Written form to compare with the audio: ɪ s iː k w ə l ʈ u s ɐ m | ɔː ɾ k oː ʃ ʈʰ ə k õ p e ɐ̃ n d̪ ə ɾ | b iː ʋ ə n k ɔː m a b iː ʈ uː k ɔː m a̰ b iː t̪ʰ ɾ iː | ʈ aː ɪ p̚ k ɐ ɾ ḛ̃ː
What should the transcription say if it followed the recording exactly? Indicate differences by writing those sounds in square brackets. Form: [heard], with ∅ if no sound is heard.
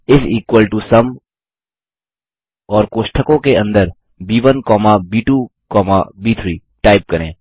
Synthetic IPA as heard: ɪ s iː k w ə l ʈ u s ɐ m | ɔː ɾ k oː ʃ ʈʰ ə k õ [k] e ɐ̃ n d̪ ə ɾ | b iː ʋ ə n k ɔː m a b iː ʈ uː k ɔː m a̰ b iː t̪ʰ ɾ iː | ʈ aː ɪ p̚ k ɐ ɾ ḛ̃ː